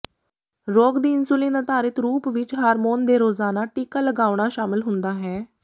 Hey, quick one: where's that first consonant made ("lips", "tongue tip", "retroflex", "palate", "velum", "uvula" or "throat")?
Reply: tongue tip